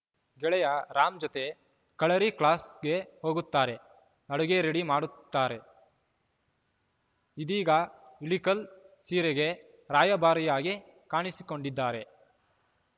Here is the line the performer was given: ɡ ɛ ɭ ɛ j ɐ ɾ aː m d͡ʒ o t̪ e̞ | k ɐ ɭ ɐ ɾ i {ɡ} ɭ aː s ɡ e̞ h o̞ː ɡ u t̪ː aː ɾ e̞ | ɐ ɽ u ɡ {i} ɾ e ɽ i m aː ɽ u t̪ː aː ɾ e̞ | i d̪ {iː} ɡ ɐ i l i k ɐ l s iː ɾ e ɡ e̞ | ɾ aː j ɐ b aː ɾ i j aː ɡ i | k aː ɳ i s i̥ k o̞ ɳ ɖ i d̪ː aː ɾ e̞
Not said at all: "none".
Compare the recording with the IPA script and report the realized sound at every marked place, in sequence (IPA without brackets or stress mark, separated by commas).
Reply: k, e, iː